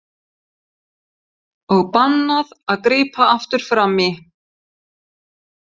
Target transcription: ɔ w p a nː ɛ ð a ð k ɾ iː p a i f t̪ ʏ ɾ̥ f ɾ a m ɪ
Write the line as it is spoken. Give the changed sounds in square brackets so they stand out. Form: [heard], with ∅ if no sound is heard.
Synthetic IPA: ɔ [ɣ] p a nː [a] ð a ð k ɾ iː p a [a] f t̪ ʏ ɾ̥ f ɾ a m ɪ